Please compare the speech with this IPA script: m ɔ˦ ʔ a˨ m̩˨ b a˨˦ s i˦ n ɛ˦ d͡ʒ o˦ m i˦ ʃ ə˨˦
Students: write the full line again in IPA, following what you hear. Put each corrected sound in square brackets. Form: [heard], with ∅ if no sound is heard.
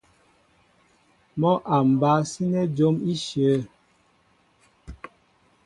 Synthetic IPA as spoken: m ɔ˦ ʔ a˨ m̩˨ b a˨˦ s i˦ n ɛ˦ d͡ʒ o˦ m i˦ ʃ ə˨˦